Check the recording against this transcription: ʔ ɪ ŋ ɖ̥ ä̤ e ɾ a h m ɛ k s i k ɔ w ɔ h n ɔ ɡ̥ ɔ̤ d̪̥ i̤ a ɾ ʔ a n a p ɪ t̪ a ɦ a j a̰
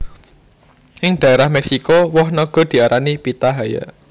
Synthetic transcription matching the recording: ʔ ɪ ŋ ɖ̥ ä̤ e ɾ a h m ɛ k s i k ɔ w ɔ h n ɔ ɡ̥ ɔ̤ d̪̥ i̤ a ɾ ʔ a n i p i t̪ a ɦ a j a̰